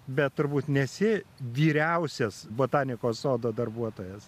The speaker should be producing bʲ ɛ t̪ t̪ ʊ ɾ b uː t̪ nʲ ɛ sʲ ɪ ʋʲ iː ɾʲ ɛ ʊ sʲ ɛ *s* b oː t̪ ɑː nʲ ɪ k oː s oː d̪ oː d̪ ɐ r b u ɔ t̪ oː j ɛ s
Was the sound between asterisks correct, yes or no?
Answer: yes